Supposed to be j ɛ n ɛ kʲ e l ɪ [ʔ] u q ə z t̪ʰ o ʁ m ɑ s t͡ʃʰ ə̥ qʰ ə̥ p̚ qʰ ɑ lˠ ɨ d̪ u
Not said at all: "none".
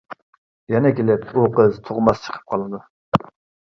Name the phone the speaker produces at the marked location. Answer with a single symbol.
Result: p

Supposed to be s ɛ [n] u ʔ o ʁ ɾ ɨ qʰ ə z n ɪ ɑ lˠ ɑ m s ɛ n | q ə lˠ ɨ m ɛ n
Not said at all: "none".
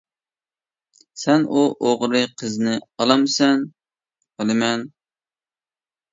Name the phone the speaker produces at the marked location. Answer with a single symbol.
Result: n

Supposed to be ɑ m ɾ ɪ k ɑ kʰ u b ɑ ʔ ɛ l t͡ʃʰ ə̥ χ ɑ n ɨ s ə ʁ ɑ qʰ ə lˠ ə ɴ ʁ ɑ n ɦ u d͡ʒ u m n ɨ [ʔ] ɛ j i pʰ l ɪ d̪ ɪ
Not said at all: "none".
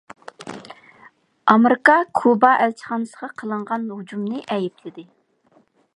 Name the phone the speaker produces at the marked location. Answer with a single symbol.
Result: ʔ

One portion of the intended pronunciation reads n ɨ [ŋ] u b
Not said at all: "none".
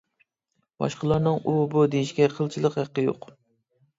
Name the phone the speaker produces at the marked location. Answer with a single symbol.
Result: ŋ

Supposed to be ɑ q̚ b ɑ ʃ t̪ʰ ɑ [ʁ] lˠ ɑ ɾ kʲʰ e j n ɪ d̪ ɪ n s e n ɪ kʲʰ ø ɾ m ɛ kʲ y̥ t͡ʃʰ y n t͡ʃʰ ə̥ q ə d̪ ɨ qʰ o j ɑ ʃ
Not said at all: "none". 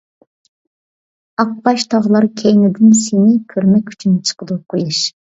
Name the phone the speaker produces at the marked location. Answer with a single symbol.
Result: ʁ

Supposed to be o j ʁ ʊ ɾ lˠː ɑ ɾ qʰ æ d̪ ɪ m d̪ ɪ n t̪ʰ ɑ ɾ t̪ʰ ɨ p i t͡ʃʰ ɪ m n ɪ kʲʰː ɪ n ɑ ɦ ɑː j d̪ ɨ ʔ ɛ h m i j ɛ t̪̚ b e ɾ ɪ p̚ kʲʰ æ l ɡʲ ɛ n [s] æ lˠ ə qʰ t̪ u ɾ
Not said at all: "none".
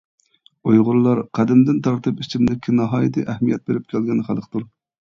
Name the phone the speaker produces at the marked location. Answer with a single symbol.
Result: χ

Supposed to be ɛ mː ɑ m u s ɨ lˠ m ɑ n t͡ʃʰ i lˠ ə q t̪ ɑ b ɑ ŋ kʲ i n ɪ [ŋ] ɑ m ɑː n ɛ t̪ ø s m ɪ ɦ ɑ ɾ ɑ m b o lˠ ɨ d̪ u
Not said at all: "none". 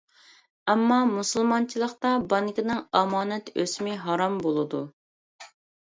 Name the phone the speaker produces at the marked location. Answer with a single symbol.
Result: ŋ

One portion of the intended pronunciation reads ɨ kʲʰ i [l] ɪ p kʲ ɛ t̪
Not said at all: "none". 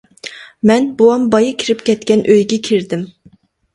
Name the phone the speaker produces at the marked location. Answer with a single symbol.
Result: ɾ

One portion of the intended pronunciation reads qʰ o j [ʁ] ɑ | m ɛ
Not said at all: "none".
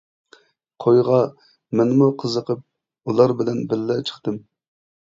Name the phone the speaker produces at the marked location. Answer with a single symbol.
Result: ʁ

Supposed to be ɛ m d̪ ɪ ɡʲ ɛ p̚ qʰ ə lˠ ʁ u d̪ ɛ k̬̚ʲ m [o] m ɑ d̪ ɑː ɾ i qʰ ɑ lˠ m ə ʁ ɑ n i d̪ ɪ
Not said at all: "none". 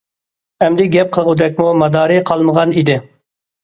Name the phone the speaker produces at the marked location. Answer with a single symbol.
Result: u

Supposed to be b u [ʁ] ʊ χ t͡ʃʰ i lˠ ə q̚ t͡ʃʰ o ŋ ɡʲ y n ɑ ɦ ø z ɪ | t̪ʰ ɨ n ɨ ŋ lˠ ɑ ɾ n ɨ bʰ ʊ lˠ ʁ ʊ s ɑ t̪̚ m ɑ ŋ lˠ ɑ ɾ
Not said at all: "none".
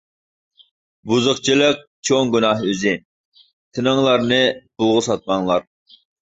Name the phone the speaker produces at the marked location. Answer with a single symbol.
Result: z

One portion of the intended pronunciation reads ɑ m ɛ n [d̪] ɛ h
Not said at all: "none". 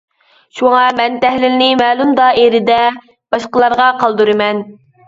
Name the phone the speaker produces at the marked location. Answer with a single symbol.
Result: t̪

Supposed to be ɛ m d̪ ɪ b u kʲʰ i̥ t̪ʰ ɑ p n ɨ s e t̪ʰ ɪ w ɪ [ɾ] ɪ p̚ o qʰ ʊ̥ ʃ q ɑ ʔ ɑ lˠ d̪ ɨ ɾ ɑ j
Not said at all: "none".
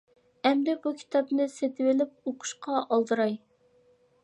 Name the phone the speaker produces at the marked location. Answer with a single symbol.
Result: l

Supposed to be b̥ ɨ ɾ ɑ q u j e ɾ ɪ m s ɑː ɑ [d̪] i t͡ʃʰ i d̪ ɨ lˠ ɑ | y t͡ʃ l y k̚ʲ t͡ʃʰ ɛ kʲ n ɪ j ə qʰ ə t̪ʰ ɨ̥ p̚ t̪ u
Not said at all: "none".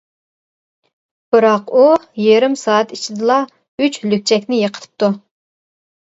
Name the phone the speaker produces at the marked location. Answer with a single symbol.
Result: t̪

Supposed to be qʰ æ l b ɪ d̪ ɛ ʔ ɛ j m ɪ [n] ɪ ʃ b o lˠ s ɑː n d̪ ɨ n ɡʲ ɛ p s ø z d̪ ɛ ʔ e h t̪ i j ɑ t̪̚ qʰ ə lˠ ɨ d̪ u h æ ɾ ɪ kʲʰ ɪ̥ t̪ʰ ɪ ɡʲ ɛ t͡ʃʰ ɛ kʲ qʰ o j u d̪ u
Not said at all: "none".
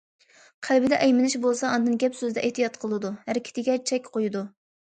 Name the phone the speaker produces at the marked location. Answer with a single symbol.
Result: n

